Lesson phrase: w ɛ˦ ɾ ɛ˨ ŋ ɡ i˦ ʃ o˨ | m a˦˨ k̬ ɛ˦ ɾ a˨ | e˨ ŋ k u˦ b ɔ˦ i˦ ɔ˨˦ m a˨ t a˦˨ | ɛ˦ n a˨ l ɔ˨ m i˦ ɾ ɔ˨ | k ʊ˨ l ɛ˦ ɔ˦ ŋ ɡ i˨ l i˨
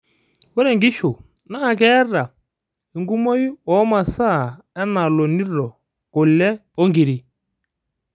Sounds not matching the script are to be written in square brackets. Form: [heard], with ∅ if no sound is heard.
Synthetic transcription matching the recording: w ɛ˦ ɾ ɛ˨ ŋ ɡ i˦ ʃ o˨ | [n] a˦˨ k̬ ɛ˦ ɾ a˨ | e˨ ŋ [ɡ] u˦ [m] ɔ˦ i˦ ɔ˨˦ m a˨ [s] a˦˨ | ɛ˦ n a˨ l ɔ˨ [n] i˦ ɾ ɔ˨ | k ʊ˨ l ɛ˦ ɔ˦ ŋ ɡ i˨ [ɾ] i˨

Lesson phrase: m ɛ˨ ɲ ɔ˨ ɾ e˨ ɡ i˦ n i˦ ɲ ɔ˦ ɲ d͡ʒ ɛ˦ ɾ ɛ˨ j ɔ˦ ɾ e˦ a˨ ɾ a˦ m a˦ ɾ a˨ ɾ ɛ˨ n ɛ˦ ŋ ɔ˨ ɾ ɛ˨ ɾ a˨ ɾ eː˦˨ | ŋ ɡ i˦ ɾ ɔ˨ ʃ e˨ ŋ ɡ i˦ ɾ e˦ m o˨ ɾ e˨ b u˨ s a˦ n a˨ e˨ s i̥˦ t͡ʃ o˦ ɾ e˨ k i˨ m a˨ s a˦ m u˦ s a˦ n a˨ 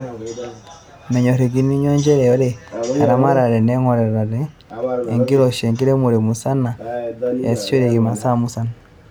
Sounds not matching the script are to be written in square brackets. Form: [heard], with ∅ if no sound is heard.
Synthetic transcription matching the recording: m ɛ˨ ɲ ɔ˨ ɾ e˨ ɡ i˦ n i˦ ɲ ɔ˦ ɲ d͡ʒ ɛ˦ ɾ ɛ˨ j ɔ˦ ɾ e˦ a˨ ɾ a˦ m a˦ ɾ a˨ ɾ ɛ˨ n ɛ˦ ŋ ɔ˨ ɾ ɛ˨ ɾ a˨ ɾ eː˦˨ | ŋ ɡ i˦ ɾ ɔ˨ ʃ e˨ ŋ ɡ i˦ ɾ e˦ m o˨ ɾ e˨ [m] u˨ s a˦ n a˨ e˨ s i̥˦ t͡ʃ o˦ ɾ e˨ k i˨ m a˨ s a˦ m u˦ s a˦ n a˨

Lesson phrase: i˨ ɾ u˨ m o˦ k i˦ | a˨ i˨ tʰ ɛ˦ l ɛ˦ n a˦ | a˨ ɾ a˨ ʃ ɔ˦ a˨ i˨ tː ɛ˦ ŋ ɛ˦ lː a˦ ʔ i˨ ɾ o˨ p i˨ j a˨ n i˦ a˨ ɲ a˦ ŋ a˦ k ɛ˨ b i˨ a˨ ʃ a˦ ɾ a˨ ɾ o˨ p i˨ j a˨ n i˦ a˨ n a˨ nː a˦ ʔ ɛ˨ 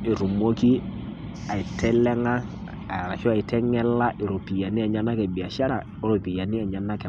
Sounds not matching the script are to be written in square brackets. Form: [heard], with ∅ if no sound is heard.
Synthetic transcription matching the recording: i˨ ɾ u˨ m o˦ k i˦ | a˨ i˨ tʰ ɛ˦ l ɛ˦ [ŋ] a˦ | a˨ ɾ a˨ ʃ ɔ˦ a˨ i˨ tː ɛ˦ ŋ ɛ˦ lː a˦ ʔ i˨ ɾ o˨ p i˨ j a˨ n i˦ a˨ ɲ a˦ [n] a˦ k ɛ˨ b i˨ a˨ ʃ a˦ ɾ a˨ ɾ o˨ p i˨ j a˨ n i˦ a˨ [ɲ] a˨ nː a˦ [k] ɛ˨

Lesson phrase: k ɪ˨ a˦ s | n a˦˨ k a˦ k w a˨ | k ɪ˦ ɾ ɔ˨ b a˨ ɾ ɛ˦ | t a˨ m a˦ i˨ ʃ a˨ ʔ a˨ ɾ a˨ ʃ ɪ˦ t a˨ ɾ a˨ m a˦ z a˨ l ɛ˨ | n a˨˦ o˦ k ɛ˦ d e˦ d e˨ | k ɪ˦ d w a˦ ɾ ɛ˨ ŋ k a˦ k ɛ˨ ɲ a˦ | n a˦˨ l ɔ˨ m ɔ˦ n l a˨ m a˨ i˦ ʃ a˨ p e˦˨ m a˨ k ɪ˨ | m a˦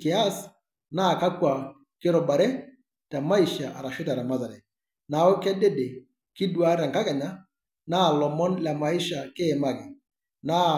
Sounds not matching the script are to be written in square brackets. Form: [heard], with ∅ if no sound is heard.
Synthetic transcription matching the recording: k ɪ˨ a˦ s | n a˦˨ k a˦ k w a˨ | k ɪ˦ ɾ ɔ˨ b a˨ ɾ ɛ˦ | t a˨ m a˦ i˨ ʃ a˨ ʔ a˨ ɾ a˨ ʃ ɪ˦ t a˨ ɾ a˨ m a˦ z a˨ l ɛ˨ | n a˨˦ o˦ k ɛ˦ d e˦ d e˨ | k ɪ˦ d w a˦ ɾ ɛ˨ ŋ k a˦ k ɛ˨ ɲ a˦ | n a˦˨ l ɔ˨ m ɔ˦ n l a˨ m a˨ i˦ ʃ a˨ [k] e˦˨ m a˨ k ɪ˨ | [n] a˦

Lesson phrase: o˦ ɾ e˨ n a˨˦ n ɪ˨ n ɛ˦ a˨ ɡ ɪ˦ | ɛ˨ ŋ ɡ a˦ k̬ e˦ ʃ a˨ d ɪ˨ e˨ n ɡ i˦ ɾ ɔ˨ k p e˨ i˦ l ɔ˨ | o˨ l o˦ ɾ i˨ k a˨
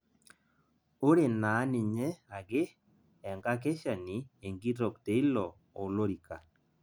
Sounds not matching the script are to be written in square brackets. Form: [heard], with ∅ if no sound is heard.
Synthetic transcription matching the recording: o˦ ɾ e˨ n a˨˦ n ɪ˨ [ɲ] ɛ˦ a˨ ɡ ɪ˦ | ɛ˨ ŋ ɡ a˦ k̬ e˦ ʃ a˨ [n] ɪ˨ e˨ [ŋ] ɡ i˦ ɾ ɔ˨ k [t] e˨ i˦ l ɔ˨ | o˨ l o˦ ɾ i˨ k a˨

